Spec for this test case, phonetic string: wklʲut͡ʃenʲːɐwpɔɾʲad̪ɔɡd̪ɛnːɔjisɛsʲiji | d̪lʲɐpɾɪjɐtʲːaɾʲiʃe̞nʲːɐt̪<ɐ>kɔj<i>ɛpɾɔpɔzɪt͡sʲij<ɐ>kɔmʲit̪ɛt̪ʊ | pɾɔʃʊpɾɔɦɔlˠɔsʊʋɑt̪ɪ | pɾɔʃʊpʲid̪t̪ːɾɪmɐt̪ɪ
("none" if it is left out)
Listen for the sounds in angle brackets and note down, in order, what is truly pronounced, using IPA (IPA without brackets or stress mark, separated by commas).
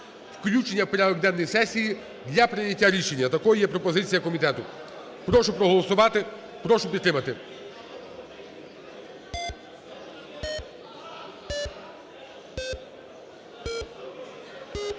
ɐ, j, ɐ